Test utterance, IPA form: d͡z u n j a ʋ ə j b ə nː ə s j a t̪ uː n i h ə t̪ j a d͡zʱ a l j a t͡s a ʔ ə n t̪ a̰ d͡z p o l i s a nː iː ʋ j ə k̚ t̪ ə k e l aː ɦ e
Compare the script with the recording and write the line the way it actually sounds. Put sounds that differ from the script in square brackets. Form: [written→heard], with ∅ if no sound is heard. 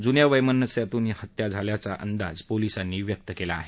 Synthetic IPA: d͡z u n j a ʋ ə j [b→m] ə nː ə s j a t̪ uː n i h ə t̪ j a d͡zʱ a l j a t͡s a ʔ ə n [t̪→d̪] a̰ d͡z p o l i s a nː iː ʋ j ə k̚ t̪ ə k e l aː ɦ e